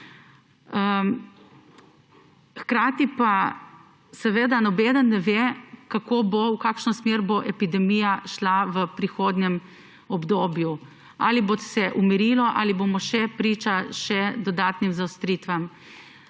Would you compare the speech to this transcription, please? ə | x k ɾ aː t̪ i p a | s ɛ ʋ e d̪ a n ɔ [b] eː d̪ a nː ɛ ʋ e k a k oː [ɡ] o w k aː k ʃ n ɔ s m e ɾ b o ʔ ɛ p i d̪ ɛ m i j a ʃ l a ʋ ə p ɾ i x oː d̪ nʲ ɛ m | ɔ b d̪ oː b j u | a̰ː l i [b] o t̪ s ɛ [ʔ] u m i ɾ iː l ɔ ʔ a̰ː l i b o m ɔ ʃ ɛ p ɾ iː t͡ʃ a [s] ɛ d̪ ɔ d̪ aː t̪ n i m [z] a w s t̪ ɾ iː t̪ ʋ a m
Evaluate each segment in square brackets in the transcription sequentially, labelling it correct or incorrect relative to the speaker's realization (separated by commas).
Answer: correct, incorrect, correct, correct, incorrect, correct